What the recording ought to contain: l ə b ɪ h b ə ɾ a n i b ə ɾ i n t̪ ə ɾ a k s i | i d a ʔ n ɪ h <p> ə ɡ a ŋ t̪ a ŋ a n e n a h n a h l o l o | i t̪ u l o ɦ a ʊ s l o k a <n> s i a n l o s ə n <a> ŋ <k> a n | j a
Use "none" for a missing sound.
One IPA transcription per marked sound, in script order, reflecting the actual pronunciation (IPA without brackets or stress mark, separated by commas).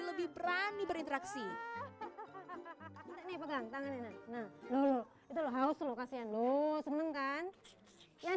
p, none, ə, k